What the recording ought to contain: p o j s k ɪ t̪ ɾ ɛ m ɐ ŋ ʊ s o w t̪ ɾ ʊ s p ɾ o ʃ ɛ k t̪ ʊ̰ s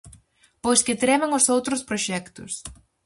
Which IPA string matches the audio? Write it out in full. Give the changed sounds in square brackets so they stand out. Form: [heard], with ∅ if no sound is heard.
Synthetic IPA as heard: p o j s k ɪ t̪ ɾ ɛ m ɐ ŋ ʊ s o w t̪ ɾ ʊ s p ɾ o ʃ ɛ k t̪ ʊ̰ s